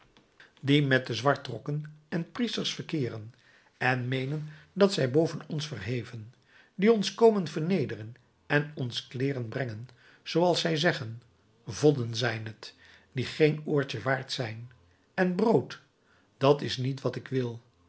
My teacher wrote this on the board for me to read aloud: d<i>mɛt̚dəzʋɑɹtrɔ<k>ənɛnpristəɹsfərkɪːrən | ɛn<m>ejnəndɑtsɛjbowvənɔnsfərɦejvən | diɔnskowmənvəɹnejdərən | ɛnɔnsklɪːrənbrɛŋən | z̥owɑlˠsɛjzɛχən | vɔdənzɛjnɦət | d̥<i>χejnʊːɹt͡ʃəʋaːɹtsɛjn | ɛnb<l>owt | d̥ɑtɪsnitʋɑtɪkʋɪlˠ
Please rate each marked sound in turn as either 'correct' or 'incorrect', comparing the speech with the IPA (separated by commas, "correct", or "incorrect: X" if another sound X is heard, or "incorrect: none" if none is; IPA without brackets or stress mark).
correct, correct, correct, correct, incorrect: r